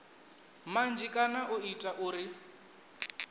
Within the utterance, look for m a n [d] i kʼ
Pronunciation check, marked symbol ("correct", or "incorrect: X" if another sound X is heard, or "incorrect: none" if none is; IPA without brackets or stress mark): incorrect: d͡ʒ